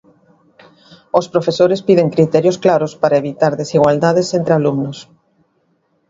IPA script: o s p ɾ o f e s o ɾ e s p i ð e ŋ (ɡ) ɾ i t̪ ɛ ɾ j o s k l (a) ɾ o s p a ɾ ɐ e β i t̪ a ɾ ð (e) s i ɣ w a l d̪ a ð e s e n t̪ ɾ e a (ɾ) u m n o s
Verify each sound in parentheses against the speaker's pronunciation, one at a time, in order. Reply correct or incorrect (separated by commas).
incorrect, correct, correct, incorrect